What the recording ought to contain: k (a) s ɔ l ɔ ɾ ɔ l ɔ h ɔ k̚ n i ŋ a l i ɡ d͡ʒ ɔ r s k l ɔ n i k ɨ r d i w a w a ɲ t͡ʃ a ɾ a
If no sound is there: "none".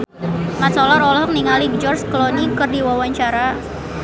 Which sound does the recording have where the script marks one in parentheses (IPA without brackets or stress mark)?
a